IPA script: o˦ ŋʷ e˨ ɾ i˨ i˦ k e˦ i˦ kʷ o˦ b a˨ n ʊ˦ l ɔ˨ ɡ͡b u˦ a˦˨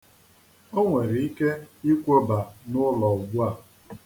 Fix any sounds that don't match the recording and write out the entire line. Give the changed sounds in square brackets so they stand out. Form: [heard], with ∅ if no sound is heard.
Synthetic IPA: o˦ ŋʷ e˨ ɾ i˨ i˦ k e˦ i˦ kʷ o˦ b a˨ n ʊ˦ l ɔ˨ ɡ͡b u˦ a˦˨